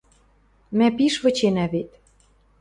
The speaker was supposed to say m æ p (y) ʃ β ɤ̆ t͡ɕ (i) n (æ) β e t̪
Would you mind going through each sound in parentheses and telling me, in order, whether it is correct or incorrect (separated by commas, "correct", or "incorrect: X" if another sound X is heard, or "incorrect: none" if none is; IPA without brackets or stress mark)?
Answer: incorrect: i, incorrect: e, correct